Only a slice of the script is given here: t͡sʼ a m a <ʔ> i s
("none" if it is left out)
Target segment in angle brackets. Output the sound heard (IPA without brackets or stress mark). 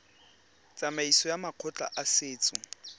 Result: none